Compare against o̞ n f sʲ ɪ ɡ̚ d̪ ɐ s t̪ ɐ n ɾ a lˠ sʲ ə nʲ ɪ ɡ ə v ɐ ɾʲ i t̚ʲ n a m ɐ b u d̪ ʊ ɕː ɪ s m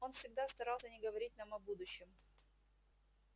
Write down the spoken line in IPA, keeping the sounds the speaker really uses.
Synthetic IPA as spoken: o̞ n f sʲ ɪ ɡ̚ d̪ a s t̪ ɐ ɾ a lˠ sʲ ə nʲ ɪ ɡ ə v ɐ ɾʲ i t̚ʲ n a m ɐ b u d̪ ʊ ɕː ɪ m